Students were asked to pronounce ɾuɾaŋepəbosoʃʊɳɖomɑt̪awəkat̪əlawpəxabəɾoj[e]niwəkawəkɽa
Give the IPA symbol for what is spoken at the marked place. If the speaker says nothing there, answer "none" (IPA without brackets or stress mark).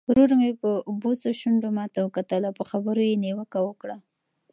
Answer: e